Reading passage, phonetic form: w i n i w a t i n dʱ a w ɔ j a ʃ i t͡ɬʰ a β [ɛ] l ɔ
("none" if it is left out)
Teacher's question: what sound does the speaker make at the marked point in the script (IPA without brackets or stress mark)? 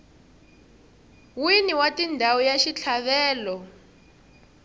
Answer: ɛː